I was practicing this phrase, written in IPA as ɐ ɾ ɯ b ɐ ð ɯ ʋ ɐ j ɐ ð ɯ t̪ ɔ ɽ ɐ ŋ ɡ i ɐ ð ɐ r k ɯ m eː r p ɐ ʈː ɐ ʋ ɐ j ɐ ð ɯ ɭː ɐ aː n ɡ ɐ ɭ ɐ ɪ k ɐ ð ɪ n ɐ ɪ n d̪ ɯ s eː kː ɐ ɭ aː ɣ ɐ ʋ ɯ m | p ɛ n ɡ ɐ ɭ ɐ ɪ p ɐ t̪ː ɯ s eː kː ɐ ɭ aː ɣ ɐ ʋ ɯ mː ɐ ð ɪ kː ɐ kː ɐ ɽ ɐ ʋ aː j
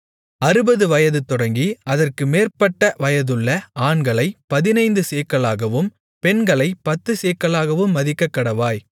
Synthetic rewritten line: ɐ ɾ ɯ b ɐ ð ɯ ʋ ɐ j ɐ ð ɯ t̪ ɔ ɽ ɐ ŋ ɡ i ɐ ð ɐ r k ɯ m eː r p ɐ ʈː ɐ ʋ ɐ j ɐ ð ɯ ɭː ɐ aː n ɡ ɐ ɭ ɐ ɪ p ɐ ð ɪ n ɐ ɪ n d̪ ɯ s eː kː ɐ ɭ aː ɣ ɐ ʋ ɯ m | p ɛ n ɡ ɐ ɭ ɐ ɪ p ɐ t̪ː ɯ s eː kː ɐ ɭ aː ɣ ɐ ʋ ɯ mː ɐ ð ɪ kː ɐ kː ɐ ɽ ɐ ʋ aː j